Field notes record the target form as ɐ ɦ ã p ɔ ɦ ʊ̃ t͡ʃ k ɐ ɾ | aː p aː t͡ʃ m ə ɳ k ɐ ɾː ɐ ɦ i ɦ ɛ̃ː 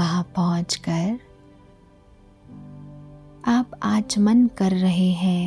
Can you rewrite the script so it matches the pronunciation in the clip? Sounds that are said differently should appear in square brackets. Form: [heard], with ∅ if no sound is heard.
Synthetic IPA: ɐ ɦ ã p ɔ ɦ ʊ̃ t͡ʃ k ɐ ɾ | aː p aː t͡ʃ m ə [n] k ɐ ɾː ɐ ɦ [e] ɦ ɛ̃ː